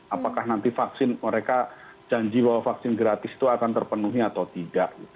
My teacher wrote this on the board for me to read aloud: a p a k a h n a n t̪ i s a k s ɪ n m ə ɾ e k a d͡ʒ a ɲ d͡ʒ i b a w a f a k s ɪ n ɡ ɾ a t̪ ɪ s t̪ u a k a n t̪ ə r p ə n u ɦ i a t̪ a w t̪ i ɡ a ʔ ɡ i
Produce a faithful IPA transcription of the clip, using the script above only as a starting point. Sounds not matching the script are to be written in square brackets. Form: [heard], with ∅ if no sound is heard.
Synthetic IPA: a p a k a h n a n t̪ i [f] a k s ɪ n m ə ɾ e k a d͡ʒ a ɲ d͡ʒ i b a w a f a k s ɪ n ɡ ɾ a t̪ ɪ s t̪ u a k a n t̪ ə r p ə n u ɦ i a t̪ a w t̪ i [d] a ʔ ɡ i